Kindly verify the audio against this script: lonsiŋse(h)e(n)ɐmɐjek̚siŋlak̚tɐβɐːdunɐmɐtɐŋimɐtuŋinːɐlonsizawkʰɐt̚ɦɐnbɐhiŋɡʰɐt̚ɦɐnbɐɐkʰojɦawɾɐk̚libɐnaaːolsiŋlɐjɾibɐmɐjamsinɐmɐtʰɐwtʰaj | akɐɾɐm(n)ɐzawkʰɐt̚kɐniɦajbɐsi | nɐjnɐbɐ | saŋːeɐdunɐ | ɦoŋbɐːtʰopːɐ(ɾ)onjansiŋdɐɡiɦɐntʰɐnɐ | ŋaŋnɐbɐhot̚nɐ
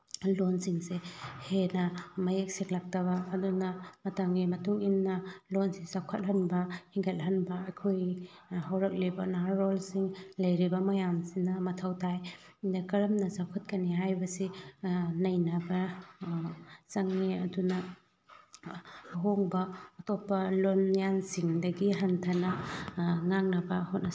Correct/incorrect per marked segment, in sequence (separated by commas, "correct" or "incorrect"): correct, correct, correct, incorrect